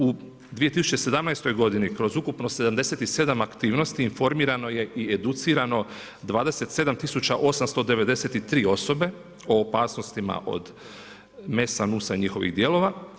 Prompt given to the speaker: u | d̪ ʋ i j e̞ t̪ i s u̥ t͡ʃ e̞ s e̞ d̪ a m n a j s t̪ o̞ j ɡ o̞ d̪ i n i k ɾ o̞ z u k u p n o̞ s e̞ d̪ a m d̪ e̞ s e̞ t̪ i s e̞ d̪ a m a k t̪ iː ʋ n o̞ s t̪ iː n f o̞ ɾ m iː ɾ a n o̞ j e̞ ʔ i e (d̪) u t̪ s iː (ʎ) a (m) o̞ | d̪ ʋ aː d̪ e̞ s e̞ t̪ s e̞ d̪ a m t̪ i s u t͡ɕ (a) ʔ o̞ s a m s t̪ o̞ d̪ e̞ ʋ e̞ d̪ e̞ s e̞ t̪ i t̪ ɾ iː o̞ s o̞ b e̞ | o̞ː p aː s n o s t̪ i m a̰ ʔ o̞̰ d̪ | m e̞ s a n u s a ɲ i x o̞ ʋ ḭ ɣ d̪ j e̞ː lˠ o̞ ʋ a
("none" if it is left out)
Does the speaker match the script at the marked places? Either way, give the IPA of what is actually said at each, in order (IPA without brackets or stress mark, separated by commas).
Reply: d̪, ɾ, n, a